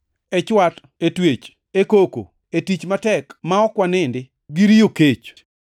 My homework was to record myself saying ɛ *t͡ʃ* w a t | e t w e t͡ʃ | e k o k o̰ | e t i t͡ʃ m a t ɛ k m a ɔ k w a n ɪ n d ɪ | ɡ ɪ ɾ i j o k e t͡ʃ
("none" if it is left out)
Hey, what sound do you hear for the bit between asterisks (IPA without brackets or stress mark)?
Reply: t͡ʃ